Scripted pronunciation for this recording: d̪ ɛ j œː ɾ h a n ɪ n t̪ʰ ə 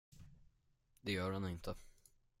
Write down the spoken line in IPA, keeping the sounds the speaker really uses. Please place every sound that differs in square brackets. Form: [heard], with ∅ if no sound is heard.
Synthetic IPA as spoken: d̪ ɛ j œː ɾ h a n ɪ n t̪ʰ ə